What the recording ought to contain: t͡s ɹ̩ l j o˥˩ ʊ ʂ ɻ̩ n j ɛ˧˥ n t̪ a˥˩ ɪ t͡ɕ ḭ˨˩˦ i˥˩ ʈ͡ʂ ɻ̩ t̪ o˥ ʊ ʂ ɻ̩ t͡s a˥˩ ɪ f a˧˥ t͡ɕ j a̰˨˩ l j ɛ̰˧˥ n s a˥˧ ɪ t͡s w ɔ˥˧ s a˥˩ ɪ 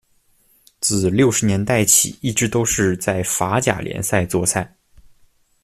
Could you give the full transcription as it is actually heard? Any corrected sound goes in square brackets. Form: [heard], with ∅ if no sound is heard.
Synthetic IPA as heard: t͡s ɹ̩ l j o˥˩ ʊ ʂ ɻ̩ n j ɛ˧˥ n t̪ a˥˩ ɪ [t͡ɕʰ] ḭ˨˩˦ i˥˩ ʈ͡ʂ ɻ̩ t̪ o˥ ʊ ʂ ɻ̩ t͡s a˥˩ ɪ f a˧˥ t͡ɕ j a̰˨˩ l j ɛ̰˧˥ n s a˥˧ ɪ t͡s w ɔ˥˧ s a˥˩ ɪ